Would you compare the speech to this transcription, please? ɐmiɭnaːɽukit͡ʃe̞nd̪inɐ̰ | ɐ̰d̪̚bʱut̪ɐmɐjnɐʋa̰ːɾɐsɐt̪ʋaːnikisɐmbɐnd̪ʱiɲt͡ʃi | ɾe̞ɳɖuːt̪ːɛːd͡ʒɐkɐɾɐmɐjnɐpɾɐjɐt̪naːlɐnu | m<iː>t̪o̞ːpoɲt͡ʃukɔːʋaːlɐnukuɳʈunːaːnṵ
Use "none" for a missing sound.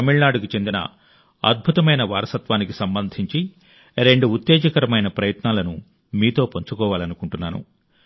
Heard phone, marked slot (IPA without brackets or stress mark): iː